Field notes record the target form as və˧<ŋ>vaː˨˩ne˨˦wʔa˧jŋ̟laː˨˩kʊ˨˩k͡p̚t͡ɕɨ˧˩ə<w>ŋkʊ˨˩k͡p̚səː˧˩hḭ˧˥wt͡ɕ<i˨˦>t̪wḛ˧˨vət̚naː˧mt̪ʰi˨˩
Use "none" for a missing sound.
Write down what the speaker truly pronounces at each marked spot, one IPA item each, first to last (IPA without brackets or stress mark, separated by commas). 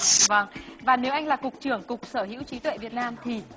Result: ŋ, none, i˨˦